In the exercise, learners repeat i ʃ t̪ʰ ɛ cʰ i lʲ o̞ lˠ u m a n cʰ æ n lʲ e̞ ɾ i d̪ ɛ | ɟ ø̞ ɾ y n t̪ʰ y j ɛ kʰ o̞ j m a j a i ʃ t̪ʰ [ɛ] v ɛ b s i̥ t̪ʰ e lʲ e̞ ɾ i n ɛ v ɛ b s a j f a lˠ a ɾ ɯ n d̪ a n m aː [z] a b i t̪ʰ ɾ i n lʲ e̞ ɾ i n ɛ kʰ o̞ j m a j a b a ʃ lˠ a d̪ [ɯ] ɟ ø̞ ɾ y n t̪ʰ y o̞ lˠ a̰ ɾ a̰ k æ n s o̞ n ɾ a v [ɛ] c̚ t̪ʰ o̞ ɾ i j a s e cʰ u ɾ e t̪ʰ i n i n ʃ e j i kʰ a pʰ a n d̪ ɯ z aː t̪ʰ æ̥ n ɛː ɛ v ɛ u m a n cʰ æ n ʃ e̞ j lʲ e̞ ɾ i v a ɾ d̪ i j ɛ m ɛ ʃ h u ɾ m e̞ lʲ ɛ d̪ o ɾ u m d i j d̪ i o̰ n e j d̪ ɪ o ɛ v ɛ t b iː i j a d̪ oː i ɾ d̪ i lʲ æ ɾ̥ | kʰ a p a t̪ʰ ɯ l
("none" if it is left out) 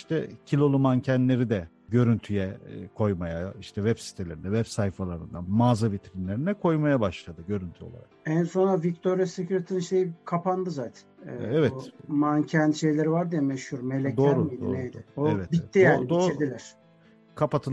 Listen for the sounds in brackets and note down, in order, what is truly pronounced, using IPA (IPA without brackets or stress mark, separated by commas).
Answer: ɛ, z, ɯ, i